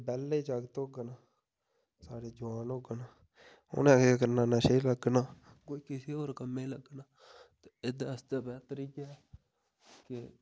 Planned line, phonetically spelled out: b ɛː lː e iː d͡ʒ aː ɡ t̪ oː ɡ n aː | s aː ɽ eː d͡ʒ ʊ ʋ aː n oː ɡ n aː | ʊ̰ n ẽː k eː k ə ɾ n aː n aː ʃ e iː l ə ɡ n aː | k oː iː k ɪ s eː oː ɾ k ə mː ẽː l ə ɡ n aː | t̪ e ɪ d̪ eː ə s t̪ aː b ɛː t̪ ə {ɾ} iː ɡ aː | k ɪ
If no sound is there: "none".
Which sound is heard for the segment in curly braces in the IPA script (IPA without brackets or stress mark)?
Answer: ɾ